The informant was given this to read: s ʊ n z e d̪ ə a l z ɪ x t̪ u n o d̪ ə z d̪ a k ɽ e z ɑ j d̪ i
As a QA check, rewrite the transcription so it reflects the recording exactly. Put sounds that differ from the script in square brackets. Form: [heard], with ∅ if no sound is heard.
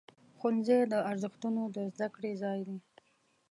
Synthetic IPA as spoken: [x] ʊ n z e d̪ ə a [ɾ] z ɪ x t̪ u n o d̪ ə z d̪ a k ɽ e z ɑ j d̪ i